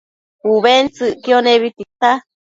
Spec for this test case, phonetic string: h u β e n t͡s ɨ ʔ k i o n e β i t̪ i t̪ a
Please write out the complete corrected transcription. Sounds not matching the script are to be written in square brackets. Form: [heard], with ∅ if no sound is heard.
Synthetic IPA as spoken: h u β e n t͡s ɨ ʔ k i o n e β i t̪ i t̪ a

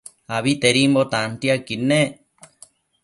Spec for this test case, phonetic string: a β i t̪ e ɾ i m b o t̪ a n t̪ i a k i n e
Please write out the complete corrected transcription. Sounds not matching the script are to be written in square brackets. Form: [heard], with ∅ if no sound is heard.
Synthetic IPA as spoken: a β i t̪ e ɾ i m b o t̪ a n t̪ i a k i n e

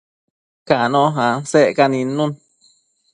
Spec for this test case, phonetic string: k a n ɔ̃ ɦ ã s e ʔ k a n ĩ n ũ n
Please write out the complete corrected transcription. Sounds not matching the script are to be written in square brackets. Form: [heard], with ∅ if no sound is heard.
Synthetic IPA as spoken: k a n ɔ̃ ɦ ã s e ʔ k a n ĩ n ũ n

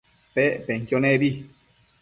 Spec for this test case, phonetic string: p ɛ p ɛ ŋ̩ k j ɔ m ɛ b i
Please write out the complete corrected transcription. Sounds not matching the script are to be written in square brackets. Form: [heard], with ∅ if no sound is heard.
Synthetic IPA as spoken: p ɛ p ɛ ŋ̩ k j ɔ [n] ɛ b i

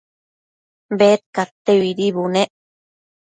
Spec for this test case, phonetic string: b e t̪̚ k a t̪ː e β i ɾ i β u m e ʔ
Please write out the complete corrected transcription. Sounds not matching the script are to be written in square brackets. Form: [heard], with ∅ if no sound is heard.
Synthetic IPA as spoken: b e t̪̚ k a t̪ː e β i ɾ i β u [n] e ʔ

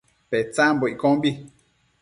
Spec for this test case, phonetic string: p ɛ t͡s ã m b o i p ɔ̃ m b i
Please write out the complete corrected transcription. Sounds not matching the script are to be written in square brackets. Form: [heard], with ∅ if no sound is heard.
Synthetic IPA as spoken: p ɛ t͡s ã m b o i [k] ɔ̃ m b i

